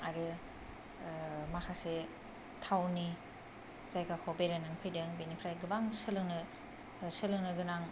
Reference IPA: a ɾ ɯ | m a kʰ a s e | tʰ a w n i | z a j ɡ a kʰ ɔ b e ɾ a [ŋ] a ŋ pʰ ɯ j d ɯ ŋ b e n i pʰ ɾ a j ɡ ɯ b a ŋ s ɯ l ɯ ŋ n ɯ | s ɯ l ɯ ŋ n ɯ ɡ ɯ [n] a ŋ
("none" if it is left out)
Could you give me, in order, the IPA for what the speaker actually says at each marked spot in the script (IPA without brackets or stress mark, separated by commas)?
n, n